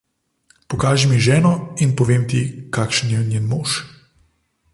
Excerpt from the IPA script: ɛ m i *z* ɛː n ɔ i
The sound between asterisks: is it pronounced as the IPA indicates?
no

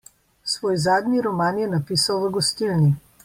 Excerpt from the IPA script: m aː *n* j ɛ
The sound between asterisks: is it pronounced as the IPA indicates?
yes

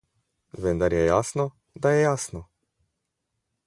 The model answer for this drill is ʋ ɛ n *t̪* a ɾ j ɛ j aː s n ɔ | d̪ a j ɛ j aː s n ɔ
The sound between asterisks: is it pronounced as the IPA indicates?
no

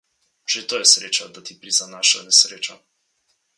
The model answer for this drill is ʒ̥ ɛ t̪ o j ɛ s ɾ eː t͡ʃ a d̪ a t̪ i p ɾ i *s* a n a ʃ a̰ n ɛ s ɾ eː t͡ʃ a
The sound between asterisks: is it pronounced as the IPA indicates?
no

